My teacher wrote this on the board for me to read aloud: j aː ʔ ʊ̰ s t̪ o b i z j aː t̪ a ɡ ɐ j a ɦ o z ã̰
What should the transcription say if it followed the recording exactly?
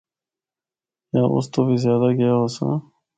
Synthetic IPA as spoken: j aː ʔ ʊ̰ s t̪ o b i z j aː d̪ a ɡ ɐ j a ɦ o s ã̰